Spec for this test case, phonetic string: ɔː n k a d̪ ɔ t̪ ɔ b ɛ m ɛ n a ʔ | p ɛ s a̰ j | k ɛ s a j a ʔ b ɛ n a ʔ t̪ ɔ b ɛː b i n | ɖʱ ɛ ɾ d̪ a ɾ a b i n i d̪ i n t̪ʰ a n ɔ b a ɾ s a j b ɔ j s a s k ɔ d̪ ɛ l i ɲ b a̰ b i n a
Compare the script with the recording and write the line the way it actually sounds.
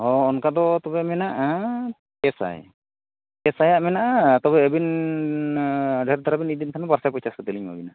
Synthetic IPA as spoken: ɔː n k a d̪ ɔ t̪ ɔ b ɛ m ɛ n a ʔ | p ɛ s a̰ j | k ɛ s a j a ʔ m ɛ n a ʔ t̪ ɔ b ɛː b i n | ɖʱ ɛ ɾ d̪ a ɾ a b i n i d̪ i n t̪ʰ a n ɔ b a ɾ s a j p ɔ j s a s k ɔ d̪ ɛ l i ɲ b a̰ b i n a